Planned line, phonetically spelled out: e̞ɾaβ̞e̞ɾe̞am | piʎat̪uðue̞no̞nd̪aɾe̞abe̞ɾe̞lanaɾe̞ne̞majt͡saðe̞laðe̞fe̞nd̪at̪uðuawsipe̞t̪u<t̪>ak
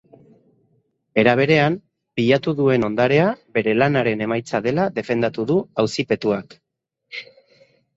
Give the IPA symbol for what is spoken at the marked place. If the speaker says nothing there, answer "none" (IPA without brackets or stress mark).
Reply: none